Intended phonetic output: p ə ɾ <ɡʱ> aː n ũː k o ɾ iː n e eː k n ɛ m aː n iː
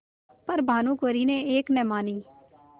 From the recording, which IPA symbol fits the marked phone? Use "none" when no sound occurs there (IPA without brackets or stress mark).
bʱ